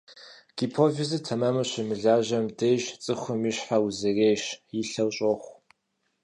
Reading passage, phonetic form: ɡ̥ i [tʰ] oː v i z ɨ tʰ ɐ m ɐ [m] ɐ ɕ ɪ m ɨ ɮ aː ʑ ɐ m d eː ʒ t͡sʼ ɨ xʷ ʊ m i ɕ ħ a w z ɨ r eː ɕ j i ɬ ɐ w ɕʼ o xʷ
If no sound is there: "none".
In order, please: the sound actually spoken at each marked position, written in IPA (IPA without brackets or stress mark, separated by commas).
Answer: pʰ, m